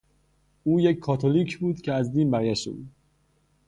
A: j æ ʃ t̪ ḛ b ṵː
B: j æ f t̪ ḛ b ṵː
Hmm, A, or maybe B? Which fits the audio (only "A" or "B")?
A